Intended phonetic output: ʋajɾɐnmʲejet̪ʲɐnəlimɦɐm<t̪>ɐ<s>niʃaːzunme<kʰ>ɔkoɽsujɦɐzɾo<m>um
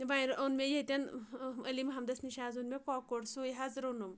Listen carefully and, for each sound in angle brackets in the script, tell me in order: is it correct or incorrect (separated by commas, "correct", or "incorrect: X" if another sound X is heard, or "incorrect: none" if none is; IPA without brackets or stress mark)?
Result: incorrect: d̪, correct, incorrect: k, incorrect: n